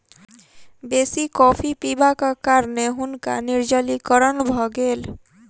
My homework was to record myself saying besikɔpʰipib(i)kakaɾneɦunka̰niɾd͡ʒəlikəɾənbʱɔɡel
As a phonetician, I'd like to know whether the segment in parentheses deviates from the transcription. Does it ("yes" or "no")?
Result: yes